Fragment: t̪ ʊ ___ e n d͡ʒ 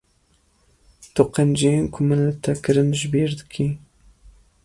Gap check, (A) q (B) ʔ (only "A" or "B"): A